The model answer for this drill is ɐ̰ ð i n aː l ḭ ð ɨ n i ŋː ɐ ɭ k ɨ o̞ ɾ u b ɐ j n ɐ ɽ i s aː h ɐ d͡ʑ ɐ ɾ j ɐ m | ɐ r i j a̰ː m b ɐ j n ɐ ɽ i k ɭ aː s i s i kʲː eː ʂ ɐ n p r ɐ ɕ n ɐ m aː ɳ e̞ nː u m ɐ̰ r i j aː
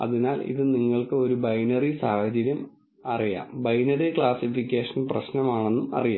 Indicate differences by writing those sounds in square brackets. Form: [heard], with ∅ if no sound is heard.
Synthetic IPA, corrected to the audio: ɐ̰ ð i n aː l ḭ ð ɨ n i ŋː ɐ ɭ k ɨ o̞ ɾ u b ɐ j n ɐ [r] i s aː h ɐ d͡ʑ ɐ ɾ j ɐ m | ɐ r i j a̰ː m b ɐ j n ɐ [r] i k ɭ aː s i [f] i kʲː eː ʂ ɐ n p r ɐ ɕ n ɐ m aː ɳ e̞ nː u m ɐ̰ r i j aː

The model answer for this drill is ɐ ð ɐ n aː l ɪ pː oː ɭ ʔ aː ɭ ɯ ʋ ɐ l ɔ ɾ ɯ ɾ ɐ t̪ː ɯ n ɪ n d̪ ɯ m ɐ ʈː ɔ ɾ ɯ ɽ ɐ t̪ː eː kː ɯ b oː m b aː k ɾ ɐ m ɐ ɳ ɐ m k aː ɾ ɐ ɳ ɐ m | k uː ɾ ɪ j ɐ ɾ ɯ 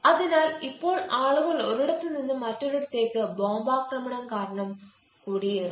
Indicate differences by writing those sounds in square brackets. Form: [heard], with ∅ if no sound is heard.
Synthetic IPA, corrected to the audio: ɐ ð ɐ n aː l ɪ pː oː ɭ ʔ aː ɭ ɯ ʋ ɐ l ɔ ɾ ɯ [ɽ] ɐ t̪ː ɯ n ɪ n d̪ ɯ m ɐ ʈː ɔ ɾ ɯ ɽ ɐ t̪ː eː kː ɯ b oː m b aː k ɾ ɐ m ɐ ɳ ɐ m k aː ɾ ɐ ɳ ɐ m | k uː [ɽ] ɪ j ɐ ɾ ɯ

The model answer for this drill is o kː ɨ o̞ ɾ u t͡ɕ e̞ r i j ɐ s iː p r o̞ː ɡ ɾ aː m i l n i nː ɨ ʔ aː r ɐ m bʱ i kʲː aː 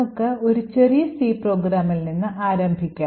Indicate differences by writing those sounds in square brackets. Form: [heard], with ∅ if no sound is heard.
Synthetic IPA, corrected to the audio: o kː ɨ o̞ ɾ u t͡ɕ e̞ r i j ɐ s iː p r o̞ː ɡ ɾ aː m i l n i nː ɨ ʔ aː [ɾ] ɐ m bʱ i kʲː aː

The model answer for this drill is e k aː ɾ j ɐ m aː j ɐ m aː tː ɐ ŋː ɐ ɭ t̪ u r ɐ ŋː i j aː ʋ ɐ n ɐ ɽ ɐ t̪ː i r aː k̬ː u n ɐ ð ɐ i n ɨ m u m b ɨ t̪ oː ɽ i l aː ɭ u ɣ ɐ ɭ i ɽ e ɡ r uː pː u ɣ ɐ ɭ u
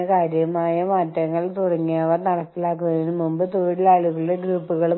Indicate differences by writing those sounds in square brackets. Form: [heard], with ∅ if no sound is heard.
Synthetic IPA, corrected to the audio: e k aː ɾ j ɐ m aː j ɐ m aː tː ɐ ŋː ɐ ɭ t̪ u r ɐ ŋː i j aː ʋ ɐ n ɐ ɽ ɐ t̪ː i [l] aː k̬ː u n ɐ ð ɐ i n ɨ m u m b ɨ t̪ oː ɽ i l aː ɭ u ɣ ɐ ɭ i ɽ e ɡ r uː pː u ɣ ɐ ɭ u

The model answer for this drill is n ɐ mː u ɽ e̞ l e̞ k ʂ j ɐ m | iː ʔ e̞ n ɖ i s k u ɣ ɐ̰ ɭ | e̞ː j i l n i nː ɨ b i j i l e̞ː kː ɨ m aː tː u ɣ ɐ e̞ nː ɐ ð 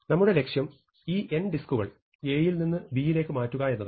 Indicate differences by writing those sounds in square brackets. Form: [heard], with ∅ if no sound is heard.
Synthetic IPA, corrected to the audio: n ɐ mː u ɽ e̞ l e̞ k ʂ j ɐ m | iː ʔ e̞ n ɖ i s k u ɣ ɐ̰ ɭ | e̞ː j i l n i nː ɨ b i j i l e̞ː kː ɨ m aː tː u ɣ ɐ e̞ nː ɐ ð

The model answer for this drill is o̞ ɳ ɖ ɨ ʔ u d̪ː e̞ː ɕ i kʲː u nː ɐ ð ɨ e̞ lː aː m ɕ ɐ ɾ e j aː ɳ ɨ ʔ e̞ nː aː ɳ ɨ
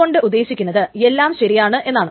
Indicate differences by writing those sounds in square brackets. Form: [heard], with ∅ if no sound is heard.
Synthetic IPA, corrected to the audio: o̞ ɳ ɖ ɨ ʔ u d̪ː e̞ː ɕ i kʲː u nː ɐ ð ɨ e̞ lː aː m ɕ ɐ ɾ [i] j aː ɳ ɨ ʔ e̞ nː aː ɳ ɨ

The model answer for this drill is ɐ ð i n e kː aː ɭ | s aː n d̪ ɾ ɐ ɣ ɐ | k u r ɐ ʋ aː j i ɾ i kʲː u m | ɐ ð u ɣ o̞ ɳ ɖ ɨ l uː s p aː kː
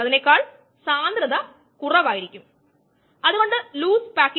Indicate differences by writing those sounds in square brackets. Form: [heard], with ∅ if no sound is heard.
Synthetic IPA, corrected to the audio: ɐ ð i n e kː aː ɭ | s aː n d̪ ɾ ɐ [ð] ɐ | k u r ɐ ʋ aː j i ɾ i kʲː u m | ɐ ð u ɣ o̞ ɳ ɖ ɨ l uː s p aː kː

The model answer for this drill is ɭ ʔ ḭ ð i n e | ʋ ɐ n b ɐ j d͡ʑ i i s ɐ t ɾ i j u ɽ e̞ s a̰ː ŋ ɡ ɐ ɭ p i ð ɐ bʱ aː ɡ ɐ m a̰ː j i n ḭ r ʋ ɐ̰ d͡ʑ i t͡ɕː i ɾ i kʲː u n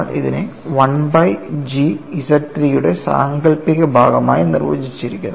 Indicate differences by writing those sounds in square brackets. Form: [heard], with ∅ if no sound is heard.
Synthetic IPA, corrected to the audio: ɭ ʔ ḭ ð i n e | ʋ ɐ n b ɐ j d͡ʑ i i s ɐ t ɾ i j u ɽ e̞ s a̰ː ŋ ɡ ɐ ɭ p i [ɣ] ɐ bʱ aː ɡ ɐ m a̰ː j i n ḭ r ʋ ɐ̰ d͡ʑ i t͡ɕː i ɾ i kʲː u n

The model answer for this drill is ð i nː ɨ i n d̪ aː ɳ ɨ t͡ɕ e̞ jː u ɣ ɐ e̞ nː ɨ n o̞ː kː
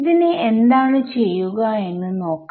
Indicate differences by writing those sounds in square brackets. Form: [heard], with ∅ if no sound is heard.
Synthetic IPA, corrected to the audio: ð i [n] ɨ [e] n d̪ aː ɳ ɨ t͡ɕ e̞ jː u ɣ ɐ e̞ nː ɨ n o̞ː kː

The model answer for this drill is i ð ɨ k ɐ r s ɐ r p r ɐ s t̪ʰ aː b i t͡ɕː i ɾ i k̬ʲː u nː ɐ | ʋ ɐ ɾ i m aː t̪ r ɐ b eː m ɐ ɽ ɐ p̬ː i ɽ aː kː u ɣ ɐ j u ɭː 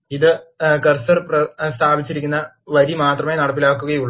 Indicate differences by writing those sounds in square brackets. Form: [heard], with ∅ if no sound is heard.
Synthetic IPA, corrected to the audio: i ð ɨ k ɐ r s ɐ r p r ɐ s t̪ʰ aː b i t͡ɕː i ɾ i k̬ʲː u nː ɐ | ʋ ɐ ɾ i m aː t̪ r ɐ [m] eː [n] ɐ ɽ ɐ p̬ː i [l] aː kː u ɣ ɐ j u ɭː

